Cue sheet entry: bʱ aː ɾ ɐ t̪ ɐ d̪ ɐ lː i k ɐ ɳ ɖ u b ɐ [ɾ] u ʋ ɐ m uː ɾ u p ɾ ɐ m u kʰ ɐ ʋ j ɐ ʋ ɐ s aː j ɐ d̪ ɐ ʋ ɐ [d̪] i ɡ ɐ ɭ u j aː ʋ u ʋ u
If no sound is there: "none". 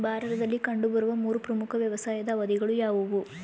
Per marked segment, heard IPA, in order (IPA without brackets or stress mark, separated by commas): ɾ, d̪